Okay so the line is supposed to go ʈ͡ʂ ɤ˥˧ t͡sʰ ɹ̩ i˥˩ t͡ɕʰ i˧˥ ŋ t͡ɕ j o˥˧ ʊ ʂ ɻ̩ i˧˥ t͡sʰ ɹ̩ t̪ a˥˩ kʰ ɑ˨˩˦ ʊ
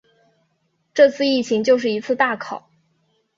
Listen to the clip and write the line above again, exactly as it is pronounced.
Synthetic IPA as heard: ʈ͡ʂ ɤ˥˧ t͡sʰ ɹ̩ i˥˩ t͡ɕʰ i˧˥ ŋ t͡ɕ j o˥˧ ʊ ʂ ɻ̩ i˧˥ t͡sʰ ɹ̩ t̪ a˥˩ kʰ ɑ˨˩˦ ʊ